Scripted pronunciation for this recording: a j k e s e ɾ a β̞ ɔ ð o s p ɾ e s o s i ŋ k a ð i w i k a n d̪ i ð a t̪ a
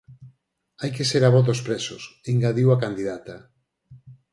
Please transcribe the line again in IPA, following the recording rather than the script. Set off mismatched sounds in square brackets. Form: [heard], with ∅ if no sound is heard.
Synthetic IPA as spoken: a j k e s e ɾ a β̞ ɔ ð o s p ɾ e s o s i ŋ [ɡ] a ð i w [a] k a n d̪ i ð a t̪ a